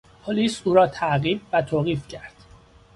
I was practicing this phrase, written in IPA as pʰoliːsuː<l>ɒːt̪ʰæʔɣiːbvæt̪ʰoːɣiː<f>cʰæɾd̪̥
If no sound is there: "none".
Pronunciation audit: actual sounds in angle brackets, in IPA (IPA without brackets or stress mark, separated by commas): ɾ, f